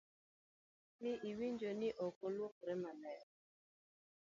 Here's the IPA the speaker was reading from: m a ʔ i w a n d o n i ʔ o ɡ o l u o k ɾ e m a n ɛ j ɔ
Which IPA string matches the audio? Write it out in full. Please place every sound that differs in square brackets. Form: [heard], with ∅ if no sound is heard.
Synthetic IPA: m [i] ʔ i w [i] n [d͡ʒ] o n i ʔ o [k] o l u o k ɾ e m a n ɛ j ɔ